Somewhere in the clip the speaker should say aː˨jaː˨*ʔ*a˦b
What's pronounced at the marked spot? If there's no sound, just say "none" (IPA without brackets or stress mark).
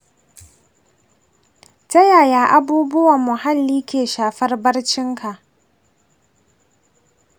ʔ